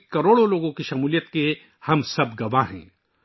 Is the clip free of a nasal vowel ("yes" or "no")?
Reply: no